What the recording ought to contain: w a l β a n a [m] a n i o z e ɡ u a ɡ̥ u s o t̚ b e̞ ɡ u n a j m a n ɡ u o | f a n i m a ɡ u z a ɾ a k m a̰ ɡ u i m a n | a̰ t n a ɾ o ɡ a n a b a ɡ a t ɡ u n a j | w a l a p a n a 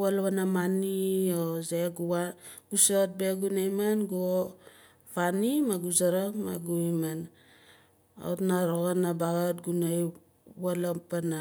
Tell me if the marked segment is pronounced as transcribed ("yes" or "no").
yes